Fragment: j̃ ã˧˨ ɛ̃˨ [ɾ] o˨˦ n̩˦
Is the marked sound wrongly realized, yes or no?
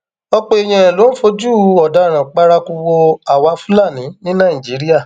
yes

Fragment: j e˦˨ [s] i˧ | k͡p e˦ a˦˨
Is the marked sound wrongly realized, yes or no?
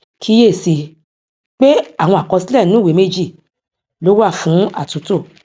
no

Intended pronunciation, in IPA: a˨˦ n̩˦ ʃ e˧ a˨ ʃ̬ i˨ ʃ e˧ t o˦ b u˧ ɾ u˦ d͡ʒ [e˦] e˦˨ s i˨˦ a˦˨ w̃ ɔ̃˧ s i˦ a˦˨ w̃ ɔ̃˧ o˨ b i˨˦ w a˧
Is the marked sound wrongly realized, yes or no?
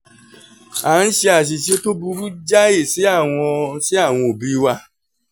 yes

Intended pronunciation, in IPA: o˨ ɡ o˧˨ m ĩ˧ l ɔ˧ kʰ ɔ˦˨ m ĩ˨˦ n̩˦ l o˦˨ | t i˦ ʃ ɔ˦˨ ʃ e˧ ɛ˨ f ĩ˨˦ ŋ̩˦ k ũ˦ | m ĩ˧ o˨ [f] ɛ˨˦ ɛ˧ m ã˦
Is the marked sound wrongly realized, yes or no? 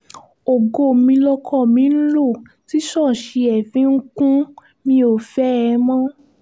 no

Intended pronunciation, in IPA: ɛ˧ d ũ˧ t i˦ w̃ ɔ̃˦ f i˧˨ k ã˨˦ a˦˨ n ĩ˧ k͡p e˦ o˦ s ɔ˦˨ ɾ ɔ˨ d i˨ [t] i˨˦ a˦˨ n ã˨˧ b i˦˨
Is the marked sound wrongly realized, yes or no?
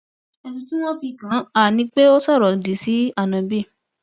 yes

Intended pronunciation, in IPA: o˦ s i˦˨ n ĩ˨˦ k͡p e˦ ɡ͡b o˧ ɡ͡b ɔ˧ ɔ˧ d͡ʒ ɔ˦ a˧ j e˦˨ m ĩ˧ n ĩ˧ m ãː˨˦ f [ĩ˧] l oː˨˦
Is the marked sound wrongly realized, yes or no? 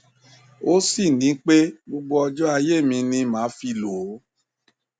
yes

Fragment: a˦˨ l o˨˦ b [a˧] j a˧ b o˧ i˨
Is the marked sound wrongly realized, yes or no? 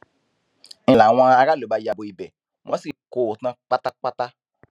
no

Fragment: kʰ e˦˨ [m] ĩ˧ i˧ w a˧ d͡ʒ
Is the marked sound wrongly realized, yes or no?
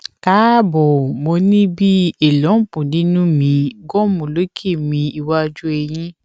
no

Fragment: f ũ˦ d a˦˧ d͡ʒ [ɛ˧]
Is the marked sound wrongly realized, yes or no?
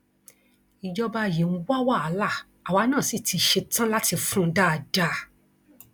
yes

